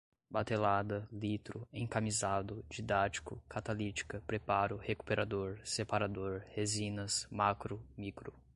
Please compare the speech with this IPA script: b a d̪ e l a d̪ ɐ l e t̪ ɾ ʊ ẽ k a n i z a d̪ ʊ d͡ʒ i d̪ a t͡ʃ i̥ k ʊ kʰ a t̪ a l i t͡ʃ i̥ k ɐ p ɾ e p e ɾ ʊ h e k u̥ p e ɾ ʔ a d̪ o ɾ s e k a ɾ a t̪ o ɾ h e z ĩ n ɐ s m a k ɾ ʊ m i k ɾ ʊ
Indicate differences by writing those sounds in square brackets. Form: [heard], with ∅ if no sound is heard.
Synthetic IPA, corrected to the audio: b a [t̪] e l a d̪ ɐ l [i] t̪ ɾ ʊ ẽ k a [m] i z a d̪ ʊ d͡ʒ i d̪ a t͡ʃ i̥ k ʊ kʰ a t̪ a l i t͡ʃ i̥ k ɐ p ɾ e p [a] ɾ ʊ h e k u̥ p e ɾ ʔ a d̪ o ɾ s e [p] a ɾ a [d̪] o ɾ h e z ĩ n ɐ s m a k ɾ ʊ m i k ɾ ʊ